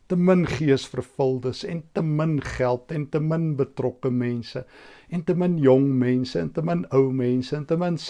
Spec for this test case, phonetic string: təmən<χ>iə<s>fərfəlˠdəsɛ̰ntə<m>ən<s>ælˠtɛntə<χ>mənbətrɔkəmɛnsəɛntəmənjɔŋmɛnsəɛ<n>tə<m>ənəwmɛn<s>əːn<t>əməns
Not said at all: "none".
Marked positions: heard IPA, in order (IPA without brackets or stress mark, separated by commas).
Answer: χ, s, m, χ, none, n, m, s, t